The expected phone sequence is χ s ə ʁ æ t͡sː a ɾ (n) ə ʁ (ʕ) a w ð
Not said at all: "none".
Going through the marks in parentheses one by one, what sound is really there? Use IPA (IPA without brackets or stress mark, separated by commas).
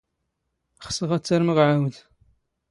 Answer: m, ʕ